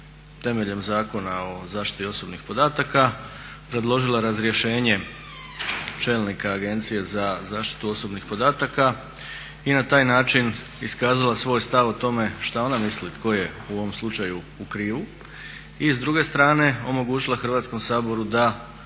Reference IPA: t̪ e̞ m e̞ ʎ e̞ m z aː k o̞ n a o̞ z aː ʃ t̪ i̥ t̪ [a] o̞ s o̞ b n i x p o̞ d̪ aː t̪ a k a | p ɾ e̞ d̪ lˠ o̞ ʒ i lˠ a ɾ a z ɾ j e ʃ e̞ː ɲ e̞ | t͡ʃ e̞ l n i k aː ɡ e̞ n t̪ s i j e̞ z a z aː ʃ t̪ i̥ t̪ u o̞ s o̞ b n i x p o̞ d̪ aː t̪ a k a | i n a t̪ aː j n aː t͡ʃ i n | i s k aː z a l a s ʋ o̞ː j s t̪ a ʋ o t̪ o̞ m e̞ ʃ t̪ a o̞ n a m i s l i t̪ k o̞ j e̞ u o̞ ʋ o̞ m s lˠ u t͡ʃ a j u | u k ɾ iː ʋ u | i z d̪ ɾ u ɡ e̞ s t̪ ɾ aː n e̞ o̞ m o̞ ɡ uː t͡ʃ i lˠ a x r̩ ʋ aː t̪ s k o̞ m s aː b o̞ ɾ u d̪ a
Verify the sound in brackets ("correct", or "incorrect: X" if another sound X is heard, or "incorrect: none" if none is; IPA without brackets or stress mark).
incorrect: i